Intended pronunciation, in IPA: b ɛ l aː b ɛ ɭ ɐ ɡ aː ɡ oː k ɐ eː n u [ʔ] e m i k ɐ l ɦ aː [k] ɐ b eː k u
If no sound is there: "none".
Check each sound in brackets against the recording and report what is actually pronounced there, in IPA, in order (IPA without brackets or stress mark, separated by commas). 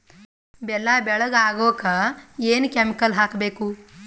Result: k, k